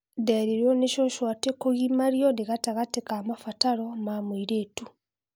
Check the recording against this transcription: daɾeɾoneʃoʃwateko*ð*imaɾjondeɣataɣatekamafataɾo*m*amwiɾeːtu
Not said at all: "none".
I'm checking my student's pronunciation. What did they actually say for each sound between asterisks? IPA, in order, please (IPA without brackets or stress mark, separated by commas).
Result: ɣ, m